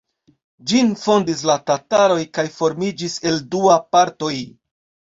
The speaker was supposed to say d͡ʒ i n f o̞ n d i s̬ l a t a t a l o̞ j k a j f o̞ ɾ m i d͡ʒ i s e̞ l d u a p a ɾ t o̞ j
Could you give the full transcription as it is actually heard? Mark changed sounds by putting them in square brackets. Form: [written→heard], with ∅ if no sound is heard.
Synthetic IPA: d͡ʒ i n f o̞ n d i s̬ l a t a t a [l→ɾ] o̞ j k a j f o̞ ɾ m i d͡ʒ i s e̞ l d u a p a ɾ t o̞ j